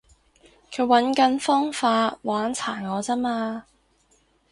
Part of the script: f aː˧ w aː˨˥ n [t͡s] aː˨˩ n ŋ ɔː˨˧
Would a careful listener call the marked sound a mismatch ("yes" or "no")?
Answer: yes